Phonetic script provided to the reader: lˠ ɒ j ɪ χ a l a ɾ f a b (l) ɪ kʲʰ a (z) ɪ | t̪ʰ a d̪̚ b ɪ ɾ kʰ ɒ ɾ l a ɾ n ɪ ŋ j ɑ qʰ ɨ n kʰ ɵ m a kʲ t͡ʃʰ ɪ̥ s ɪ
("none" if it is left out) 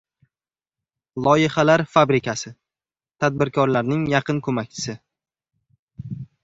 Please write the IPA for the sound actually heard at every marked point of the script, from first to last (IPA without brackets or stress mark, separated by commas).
ɾ, s